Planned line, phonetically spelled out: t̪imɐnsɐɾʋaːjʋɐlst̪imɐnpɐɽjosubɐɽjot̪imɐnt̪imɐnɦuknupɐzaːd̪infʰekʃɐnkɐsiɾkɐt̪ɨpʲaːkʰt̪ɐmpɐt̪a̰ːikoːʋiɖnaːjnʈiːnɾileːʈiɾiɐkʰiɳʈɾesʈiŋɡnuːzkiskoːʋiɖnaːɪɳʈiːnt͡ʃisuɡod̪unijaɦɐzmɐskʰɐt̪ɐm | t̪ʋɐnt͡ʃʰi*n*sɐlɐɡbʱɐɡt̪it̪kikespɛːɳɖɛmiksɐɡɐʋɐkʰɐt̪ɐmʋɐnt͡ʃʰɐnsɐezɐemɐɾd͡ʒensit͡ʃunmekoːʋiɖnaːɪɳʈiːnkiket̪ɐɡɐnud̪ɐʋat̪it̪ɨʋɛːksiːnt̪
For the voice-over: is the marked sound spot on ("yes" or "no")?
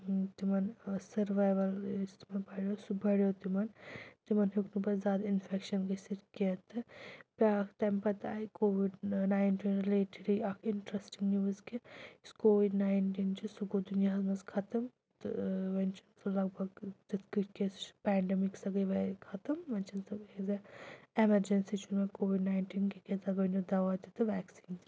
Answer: yes